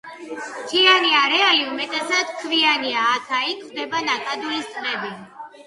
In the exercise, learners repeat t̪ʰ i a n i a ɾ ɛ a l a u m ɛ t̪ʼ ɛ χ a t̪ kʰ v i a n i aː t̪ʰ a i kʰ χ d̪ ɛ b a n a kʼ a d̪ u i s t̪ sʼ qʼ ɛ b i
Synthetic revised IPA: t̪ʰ i a n i a ɾ ɛ a l i u m ɛ t̪ʼ ɛ s a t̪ kʰ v i a n i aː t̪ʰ a i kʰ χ d̪ ɛ b a n a kʼ a d̪ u i s t̪ sʼ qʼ ɛ b i